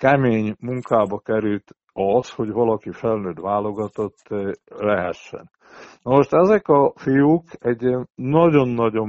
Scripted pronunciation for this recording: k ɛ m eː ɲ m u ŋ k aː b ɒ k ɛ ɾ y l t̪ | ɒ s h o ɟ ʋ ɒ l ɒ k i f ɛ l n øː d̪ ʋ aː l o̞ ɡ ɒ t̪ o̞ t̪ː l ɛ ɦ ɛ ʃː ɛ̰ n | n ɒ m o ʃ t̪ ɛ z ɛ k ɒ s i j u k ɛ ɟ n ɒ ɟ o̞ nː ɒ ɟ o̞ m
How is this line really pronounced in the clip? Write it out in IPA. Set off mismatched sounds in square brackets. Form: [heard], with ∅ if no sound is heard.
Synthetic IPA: k ɛ m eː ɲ m u ŋ k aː b ɒ k ɛ ɾ y l t̪ | ɒ s h o ɟ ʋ ɒ l ɒ k i f ɛ l n øː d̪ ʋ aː l o̞ ɡ ɒ t̪ o̞ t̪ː l ɛ ɦ ɛ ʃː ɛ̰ n | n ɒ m o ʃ t̪ ɛ z ɛ k ɒ [f] i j u k ɛ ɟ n ɒ ɟ o̞ nː ɒ ɟ o̞ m